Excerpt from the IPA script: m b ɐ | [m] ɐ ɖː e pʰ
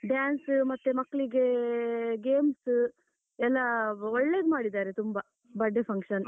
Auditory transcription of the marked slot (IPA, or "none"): b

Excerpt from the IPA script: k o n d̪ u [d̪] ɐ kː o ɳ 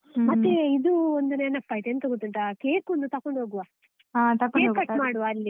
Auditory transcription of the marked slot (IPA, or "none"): t̪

